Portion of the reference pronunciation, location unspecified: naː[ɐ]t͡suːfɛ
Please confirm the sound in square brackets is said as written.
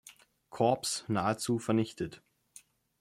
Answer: no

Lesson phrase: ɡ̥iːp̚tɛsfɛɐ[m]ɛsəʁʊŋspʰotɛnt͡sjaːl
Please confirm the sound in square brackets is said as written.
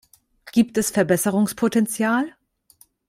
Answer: no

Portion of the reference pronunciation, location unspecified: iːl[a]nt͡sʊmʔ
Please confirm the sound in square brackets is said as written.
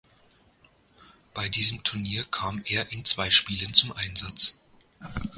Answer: no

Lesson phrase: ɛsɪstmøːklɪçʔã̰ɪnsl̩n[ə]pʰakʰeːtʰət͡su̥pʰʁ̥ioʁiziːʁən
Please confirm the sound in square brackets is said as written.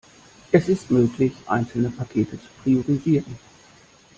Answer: yes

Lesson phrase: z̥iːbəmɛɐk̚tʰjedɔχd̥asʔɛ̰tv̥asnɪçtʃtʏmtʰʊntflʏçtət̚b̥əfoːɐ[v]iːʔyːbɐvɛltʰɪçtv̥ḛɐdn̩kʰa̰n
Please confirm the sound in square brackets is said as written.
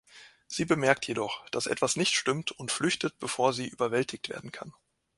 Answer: no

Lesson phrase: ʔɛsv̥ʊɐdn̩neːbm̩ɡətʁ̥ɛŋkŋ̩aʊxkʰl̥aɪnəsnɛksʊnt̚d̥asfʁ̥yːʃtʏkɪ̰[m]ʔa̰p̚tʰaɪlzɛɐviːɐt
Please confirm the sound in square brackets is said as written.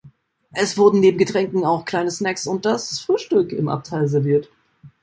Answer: yes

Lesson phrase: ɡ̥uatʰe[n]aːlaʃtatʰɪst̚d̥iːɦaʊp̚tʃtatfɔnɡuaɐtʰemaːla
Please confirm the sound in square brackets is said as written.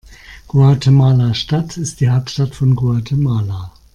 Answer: no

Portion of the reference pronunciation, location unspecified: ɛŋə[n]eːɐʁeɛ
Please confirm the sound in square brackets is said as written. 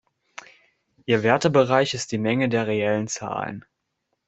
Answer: no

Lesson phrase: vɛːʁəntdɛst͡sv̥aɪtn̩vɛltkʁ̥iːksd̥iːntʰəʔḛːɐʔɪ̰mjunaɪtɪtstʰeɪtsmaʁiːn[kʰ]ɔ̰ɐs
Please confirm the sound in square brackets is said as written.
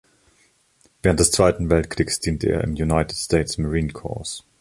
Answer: yes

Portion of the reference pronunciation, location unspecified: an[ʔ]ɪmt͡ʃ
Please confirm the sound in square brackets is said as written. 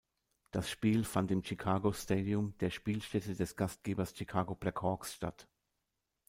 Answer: no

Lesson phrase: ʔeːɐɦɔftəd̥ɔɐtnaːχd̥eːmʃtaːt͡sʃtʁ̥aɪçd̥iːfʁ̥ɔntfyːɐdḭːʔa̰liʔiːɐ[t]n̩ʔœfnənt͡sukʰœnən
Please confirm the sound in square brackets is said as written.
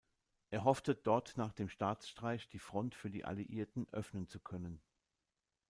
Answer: yes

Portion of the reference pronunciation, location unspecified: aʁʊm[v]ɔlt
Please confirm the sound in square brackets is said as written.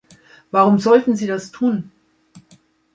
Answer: no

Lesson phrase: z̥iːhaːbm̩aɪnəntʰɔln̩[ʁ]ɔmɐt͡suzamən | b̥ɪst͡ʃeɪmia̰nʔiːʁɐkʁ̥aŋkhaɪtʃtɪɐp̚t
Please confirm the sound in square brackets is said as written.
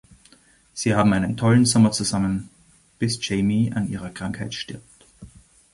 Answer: no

